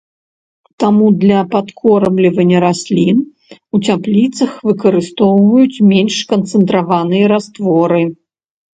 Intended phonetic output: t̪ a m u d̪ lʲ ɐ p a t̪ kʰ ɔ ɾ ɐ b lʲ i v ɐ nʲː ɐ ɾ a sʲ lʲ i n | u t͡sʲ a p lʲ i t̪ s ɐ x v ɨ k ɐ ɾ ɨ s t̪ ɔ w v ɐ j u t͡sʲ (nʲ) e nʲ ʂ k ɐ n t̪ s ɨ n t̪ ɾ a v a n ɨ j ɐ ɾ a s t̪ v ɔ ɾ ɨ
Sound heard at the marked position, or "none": mʲ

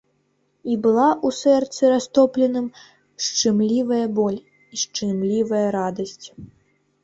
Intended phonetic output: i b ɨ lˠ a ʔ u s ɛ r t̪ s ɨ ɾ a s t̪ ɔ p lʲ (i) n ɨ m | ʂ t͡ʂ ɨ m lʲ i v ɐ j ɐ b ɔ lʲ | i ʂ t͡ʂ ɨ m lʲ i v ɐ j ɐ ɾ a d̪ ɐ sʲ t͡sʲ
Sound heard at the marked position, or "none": ɛ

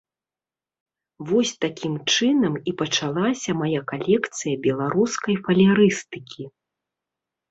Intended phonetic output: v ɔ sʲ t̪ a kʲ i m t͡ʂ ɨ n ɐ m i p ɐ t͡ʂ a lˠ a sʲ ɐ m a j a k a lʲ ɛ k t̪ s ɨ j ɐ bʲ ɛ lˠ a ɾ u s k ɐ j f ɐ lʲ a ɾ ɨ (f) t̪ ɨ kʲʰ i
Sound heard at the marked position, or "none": s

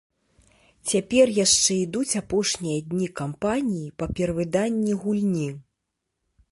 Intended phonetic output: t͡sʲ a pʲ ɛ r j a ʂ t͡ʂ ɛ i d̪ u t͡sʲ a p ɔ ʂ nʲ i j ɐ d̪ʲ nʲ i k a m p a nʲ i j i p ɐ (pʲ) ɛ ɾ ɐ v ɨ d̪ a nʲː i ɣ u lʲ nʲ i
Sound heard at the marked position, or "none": pʲ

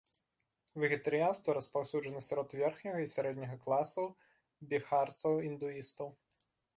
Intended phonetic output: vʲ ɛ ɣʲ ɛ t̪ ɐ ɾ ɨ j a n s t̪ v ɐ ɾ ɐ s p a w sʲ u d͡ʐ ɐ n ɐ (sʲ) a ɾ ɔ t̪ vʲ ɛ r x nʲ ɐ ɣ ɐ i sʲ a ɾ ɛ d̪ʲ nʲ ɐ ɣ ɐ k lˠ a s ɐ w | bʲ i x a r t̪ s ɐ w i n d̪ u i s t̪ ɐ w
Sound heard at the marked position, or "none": sʲ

